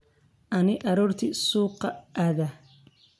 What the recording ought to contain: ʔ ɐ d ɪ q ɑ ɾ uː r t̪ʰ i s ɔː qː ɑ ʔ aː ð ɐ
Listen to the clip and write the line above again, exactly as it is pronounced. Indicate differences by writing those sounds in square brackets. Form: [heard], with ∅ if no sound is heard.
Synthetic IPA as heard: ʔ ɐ [n] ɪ [ʔ] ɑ ɾ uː r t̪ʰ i s [uː] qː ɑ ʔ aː ð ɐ

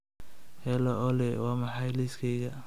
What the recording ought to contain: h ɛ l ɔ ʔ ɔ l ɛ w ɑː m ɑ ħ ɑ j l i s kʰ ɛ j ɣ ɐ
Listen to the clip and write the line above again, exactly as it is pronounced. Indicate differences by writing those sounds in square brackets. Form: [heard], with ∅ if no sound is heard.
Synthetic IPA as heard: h ɛ l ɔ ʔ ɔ l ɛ w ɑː m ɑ ħ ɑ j l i s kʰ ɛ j ɣ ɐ

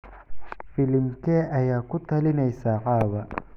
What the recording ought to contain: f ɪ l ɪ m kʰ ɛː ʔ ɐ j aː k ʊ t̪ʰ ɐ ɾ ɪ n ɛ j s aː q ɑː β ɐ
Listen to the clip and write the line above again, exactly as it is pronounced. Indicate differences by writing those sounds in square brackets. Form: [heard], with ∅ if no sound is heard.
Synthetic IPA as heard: f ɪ l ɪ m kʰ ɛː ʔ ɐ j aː k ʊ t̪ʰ ɐ [l] ɪ n ɛ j s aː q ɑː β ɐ

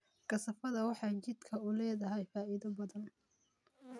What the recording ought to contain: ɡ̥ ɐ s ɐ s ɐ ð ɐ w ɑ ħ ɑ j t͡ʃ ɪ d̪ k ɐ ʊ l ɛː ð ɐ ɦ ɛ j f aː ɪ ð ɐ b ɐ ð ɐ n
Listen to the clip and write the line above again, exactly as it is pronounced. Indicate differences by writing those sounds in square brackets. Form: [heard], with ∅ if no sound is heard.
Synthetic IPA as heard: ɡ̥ ɐ s ɐ [f] ɐ ð ɐ w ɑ ħ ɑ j t͡ʃ ɪ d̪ [kʰ] ɐ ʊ l ɛː ð ɐ ɦ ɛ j f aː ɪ ð ɐ b ɐ ð ɐ n

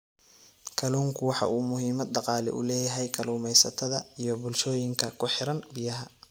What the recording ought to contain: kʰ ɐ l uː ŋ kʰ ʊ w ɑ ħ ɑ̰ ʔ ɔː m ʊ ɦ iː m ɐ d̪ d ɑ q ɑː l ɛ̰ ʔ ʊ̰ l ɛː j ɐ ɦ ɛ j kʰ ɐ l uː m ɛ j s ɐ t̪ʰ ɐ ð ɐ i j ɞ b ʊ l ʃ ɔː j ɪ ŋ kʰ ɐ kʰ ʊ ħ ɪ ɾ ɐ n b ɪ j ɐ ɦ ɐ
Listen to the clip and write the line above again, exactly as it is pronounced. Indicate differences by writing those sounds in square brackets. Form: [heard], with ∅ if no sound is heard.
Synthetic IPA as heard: kʰ ɐ l uː ŋ kʰ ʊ w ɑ ħ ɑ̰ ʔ [uː] m ʊ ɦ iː m ɐ d̪ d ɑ q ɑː l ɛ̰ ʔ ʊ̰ l ɛː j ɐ ɦ ɛ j kʰ ɐ l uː m ɛ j s ɐ t̪ʰ ɐ ð ɐ i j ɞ b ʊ l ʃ ɔː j ɪ ŋ kʰ ɐ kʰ ʊ ħ ɪ ɾ ɐ n b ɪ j ɐ ɦ ɐ

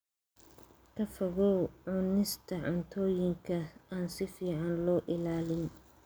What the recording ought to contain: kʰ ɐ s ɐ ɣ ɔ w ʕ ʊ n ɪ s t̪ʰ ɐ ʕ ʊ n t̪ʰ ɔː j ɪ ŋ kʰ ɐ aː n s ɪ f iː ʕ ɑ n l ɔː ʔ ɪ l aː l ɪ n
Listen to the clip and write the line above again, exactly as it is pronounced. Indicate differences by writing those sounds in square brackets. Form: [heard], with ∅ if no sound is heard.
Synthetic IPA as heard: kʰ ɐ [f] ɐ ɣ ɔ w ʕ ʊ n ɪ s t̪ʰ ɐ ʕ ʊ n t̪ʰ ɔː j ɪ ŋ kʰ ɐ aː n s ɪ f iː ʕ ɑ n l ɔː ʔ ɪ l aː l ɪ n

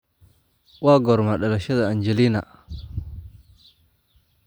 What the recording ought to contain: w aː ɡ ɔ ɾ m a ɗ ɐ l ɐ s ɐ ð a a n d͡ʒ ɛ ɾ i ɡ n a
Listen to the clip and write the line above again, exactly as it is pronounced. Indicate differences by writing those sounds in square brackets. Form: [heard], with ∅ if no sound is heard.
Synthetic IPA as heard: w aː ɡ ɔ ɾ m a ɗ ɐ l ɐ [ʃ] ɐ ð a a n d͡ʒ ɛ [l] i [∅] n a

